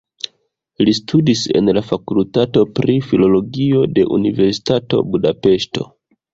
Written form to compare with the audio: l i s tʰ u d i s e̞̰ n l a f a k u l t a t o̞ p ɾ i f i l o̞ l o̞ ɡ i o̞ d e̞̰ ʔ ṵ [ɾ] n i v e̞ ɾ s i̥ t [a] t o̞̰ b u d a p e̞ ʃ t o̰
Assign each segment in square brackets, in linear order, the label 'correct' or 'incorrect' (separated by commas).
incorrect, correct